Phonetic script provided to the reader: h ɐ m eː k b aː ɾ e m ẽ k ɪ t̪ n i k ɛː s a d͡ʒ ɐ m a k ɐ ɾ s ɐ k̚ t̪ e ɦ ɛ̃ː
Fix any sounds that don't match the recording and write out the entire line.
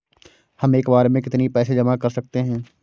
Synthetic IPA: h ɐ m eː k b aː ɾ e m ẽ k ɪ t̪ n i p ɛː s e d͡ʒ ɐ m a k ɐ ɾ s ɐ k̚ t̪ e ɦ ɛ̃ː